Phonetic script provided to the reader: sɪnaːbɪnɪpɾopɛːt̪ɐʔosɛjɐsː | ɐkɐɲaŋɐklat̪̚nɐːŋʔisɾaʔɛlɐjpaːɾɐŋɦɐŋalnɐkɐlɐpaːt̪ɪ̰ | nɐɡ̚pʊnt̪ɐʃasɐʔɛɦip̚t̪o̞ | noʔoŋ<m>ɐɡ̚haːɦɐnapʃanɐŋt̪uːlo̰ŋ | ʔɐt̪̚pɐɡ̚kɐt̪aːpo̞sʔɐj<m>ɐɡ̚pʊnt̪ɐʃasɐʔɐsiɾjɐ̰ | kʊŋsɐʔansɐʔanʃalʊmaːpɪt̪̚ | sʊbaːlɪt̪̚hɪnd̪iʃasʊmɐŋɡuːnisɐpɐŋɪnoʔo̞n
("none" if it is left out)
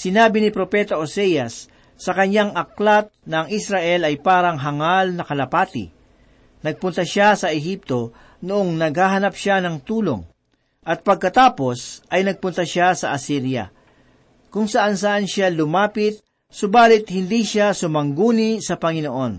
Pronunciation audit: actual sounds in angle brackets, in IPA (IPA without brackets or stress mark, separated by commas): n, n